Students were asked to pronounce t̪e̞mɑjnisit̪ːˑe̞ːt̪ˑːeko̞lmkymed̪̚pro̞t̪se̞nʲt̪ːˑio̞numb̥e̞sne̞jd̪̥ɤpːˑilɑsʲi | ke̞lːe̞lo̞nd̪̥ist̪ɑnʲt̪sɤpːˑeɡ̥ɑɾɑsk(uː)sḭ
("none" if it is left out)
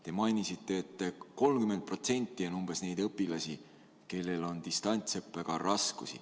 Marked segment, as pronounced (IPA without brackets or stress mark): u